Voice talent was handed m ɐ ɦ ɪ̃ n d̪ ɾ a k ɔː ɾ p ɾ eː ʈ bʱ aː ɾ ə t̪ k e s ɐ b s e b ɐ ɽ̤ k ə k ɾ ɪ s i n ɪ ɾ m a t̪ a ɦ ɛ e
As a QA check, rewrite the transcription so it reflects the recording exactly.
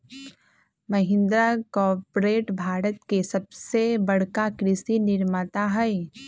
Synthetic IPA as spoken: m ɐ ɦ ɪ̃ n d̪ ɾ a k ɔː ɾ p ɾ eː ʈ bʱ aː ɾ ə t̪ k e s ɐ b s e b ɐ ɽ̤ k a k ɾ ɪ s i n ɪ ɾ m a t̪ a ɦ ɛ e